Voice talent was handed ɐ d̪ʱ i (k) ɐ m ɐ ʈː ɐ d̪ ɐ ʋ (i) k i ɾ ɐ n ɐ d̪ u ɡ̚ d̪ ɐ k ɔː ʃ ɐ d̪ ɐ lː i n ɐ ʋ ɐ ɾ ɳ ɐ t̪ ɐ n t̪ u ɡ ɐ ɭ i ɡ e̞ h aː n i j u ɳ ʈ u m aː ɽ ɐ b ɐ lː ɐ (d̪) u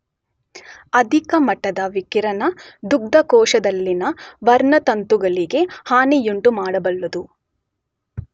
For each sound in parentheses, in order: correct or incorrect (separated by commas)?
correct, correct, correct